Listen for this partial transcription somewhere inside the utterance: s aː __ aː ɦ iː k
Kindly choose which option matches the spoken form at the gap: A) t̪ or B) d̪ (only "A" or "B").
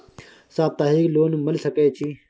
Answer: A